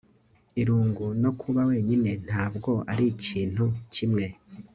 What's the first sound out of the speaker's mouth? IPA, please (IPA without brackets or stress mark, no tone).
i